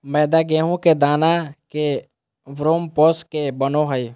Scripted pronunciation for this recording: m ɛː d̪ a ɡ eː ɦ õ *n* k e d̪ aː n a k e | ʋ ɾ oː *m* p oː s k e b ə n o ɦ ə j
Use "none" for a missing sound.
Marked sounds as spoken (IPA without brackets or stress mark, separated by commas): none, m